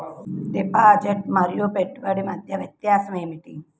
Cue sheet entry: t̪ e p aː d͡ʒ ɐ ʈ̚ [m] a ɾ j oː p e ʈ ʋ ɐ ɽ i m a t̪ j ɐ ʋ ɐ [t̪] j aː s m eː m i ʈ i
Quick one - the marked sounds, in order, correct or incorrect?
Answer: correct, correct

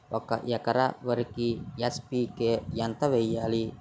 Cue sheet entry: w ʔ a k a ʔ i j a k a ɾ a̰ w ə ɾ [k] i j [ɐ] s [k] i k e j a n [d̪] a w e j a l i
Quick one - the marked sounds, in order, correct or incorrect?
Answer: correct, incorrect, incorrect, incorrect

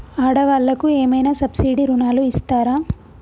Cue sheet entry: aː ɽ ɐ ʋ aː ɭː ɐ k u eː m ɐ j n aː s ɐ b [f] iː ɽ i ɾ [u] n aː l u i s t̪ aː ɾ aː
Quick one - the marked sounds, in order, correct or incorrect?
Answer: incorrect, correct

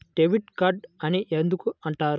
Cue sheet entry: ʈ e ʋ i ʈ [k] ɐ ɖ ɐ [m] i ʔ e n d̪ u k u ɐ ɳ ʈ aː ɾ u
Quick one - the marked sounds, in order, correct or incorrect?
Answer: correct, incorrect

